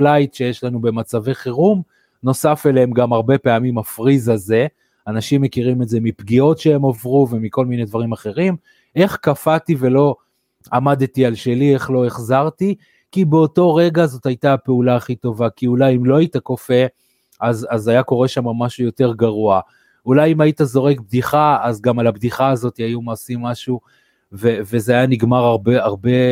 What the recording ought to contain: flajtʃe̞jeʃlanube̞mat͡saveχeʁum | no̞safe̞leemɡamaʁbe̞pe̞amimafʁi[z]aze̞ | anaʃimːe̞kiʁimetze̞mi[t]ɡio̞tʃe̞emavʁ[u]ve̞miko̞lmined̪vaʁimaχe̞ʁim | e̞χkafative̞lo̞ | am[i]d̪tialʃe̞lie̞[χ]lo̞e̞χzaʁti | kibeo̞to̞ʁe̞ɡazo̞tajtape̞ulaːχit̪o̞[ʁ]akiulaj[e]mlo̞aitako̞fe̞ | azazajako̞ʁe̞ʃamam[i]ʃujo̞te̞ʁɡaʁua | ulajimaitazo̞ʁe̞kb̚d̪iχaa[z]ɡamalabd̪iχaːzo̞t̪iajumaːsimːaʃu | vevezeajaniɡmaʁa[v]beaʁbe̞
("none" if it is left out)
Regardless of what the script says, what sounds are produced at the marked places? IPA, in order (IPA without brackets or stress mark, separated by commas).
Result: z, p, u, a, χ, v, i, a, z, ʁ